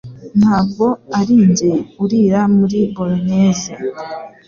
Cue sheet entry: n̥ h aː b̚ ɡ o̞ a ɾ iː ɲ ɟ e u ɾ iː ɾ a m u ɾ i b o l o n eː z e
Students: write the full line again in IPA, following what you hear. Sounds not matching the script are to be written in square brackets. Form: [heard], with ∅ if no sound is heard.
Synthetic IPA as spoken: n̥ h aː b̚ ɡ o̞ a ɾ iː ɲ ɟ e u ɾ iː ɾ a m u ɾ i b o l o n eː z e